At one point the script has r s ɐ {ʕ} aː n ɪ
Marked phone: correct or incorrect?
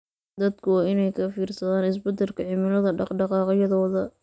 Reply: incorrect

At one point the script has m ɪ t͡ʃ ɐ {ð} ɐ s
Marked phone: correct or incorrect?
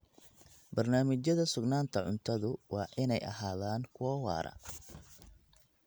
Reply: correct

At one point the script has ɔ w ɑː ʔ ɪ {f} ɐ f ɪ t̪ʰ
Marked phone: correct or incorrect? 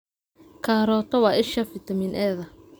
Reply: incorrect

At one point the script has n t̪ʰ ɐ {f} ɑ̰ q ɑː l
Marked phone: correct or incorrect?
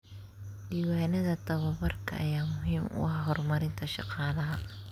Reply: incorrect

